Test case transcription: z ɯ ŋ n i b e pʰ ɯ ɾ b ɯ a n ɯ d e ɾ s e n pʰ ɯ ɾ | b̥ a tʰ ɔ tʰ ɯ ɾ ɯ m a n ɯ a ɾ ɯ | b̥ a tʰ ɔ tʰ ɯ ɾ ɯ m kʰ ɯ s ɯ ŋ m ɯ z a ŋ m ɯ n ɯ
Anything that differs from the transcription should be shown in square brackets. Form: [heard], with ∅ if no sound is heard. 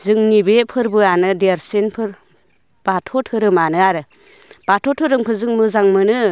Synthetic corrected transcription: z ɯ ŋ n i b e pʰ ɯ ɾ b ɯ a n ɯ d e ɾ s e n pʰ ɯ ɾ | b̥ a tʰ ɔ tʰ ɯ ɾ ɯ m a n ɯ a ɾ ɯ | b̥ a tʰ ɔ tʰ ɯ ɾ ɯ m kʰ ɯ [z] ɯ ŋ m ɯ z a ŋ m ɯ n ɯ

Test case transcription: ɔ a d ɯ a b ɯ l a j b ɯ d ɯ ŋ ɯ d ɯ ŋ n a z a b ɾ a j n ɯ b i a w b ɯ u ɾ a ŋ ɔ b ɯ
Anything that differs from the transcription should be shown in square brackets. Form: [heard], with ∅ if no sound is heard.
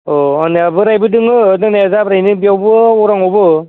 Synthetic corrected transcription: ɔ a [n] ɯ a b ɯ [ɾ] a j b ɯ d ɯ ŋ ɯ d ɯ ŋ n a z a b ɾ a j n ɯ b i a w b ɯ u ɾ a ŋ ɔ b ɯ

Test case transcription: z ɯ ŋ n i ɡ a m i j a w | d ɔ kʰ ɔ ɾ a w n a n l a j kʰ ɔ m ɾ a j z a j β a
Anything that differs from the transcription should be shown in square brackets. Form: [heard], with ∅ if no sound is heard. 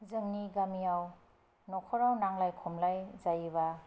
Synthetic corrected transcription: z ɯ ŋ n i ɡ a m i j a w | [n] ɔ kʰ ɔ ɾ a w n a [ŋ] l a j kʰ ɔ m [l] a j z a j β a

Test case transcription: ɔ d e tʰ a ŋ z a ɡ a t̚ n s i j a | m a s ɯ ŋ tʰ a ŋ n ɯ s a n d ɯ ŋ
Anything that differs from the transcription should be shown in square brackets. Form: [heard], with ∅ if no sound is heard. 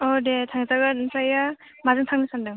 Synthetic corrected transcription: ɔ d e tʰ a ŋ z a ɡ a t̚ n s [a] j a | m a [z] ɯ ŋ tʰ a ŋ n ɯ s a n d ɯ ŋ

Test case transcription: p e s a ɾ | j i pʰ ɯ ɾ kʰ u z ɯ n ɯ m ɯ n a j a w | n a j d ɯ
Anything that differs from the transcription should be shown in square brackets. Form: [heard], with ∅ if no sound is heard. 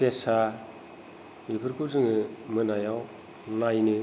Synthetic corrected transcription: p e s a [∅] | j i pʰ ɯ ɾ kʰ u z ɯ [ŋ] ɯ m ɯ n a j a w | n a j [n] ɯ

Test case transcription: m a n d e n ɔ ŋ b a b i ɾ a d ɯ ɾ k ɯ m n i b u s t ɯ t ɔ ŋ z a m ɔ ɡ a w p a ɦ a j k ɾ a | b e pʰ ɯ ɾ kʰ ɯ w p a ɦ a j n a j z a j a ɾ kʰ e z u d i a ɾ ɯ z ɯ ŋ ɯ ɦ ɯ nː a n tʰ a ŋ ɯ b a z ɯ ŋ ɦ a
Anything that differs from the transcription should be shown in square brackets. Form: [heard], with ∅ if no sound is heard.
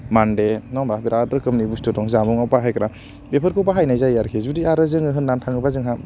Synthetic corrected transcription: m a n d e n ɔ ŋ b a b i ɾ a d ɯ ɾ k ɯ m n i b u s t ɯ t ɔ ŋ z a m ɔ [ŋ] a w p a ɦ a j k ɾ a | b e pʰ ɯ ɾ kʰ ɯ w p a ɦ a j n a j z a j a ɾ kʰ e z u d i a ɾ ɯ z ɯ ŋ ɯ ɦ ɯ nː a n tʰ a ŋ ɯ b a z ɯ ŋ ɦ a

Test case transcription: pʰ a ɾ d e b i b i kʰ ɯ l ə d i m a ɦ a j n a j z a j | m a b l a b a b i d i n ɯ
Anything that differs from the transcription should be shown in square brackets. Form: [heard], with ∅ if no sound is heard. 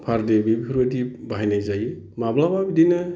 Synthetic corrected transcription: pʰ a ɾ d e b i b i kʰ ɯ [ɾ] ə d i [b] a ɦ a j n a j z a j | m a b l a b a b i d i n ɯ

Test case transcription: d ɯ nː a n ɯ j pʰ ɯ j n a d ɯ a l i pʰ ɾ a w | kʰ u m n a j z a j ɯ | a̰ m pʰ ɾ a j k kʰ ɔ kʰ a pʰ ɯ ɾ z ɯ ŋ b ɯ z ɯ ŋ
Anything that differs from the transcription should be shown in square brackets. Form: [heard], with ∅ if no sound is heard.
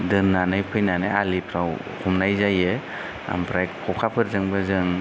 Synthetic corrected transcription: d ɯ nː a n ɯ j pʰ ɯ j n a [n] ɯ a l i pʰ ɾ a w | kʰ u m n a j z a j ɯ | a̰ m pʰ ɾ a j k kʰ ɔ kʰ a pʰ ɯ ɾ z ɯ ŋ b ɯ z ɯ ŋ

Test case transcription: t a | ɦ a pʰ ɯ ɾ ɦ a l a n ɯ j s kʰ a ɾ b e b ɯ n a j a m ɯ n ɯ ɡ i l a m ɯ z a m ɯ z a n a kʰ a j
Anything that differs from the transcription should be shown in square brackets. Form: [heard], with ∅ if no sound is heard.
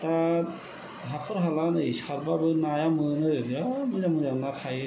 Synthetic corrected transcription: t a | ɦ a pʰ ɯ ɾ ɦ a l a n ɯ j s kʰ a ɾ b [a] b ɯ n a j a m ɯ n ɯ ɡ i [ɾ] a m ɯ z a m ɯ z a n a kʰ a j

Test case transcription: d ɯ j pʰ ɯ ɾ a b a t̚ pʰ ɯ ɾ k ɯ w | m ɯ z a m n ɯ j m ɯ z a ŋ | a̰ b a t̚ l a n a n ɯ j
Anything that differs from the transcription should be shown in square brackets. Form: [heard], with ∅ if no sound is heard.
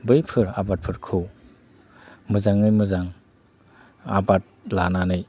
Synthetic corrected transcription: [b] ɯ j pʰ ɯ ɾ a b a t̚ pʰ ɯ ɾ [kʰ] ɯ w | m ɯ z a [ŋ] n ɯ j m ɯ z a ŋ | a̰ b a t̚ l a n a n ɯ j

